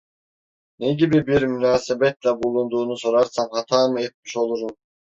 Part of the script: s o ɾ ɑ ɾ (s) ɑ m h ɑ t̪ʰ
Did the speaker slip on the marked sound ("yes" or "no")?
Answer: no